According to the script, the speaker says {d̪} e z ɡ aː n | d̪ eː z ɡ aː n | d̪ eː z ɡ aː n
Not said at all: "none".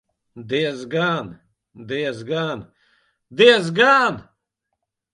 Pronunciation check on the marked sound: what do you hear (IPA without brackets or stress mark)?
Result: d̪